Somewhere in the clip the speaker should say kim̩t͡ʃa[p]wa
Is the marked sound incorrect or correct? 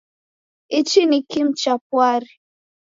correct